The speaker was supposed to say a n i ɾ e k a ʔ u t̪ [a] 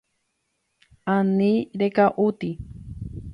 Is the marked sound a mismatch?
yes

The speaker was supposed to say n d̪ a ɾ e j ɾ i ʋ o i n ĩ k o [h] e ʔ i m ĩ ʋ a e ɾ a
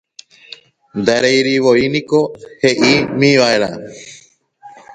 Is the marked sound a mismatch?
no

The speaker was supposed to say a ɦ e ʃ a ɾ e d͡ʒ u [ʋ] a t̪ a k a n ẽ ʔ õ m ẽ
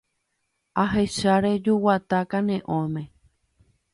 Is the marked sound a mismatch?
yes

